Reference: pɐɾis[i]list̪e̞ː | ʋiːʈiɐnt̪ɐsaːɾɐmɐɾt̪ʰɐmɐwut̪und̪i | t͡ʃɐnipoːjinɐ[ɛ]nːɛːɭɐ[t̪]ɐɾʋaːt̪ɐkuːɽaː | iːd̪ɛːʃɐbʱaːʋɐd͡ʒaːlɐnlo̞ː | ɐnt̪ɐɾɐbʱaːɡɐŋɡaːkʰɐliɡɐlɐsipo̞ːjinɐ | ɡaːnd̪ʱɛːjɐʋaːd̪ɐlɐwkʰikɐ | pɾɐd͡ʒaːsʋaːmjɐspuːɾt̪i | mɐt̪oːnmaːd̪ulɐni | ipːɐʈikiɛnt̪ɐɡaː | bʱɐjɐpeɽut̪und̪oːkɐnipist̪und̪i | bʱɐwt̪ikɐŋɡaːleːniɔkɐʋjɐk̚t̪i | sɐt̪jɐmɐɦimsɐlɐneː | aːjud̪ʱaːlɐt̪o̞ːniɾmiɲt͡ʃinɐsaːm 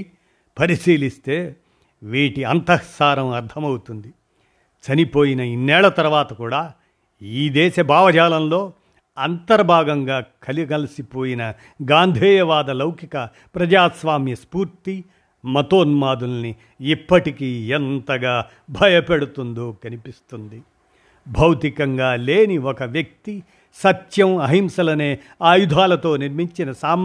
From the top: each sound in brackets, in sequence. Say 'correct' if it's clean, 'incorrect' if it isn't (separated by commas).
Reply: incorrect, incorrect, correct